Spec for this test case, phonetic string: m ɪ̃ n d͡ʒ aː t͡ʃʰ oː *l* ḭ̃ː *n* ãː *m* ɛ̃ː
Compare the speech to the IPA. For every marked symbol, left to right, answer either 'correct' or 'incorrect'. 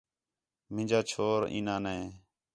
incorrect, correct, incorrect

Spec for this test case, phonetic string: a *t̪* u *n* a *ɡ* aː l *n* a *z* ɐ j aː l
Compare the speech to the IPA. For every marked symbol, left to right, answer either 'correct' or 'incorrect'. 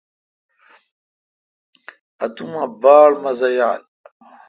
correct, incorrect, incorrect, incorrect, correct

